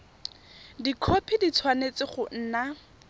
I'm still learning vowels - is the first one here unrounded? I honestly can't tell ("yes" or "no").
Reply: yes